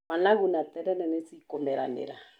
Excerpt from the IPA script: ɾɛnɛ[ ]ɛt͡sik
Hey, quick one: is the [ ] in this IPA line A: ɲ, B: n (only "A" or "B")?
B